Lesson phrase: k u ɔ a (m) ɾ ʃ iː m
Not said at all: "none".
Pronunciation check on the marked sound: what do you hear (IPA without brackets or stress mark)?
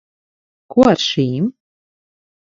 none